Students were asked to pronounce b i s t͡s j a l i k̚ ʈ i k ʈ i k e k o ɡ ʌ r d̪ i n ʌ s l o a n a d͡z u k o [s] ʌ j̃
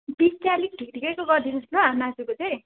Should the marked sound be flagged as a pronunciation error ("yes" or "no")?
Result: yes